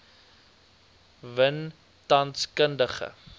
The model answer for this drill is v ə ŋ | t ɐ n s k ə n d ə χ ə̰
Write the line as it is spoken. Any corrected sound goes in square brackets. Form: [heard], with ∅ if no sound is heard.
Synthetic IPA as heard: v ə [n] | t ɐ n s k ə n d ə χ ə̰